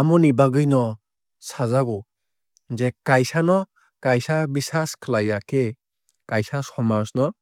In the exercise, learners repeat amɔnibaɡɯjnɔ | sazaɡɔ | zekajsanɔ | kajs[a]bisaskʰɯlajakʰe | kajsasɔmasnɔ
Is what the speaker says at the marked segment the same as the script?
yes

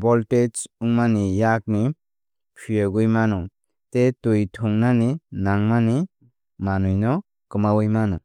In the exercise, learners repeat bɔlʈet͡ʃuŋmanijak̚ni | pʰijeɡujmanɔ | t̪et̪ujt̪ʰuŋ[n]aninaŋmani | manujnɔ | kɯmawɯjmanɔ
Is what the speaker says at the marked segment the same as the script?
yes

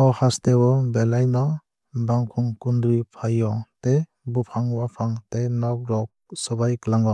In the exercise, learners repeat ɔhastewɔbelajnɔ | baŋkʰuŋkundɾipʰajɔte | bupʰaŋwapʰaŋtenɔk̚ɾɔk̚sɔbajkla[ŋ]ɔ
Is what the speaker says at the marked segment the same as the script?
yes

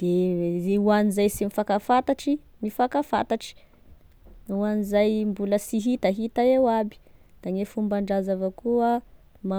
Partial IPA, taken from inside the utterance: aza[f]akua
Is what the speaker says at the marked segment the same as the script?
no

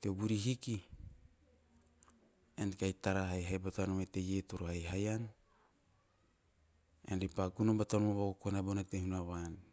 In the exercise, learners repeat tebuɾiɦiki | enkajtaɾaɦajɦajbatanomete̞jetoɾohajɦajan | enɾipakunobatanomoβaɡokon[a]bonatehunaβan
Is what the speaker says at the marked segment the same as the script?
yes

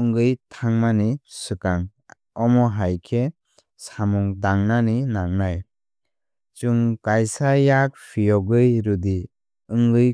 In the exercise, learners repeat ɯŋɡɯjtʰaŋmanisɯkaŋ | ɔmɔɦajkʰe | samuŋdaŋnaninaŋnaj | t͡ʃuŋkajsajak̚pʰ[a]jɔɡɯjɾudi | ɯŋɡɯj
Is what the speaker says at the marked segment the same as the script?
no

